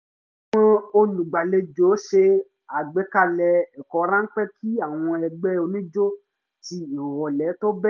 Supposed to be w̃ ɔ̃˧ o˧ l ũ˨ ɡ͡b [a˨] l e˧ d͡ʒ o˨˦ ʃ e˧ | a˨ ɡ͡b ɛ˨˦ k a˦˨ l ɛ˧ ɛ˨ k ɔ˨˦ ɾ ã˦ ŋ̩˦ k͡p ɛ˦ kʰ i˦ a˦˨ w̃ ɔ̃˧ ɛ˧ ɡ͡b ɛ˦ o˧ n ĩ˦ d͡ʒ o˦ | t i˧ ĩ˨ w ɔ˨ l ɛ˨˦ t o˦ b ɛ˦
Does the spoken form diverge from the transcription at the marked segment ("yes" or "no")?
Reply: no